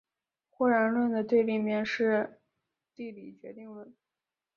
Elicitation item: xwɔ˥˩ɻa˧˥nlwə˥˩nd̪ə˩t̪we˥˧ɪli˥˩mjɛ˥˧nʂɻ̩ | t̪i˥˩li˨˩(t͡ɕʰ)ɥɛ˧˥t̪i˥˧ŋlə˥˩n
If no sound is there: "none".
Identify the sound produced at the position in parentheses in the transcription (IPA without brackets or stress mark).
t͡ɕ